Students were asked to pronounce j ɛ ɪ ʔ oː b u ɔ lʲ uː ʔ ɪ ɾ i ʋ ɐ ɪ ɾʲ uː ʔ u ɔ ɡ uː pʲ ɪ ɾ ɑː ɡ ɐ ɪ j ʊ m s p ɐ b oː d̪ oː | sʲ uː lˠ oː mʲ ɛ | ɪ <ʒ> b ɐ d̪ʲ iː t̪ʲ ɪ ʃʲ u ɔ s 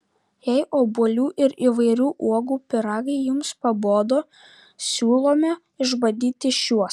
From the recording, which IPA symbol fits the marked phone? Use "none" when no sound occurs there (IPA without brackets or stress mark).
ʒ